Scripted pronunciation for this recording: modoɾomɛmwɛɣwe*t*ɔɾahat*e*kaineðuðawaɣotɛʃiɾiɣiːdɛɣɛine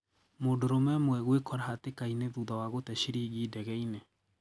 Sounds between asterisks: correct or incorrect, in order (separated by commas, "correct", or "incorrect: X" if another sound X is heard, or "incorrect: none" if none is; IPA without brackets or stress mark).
incorrect: k, correct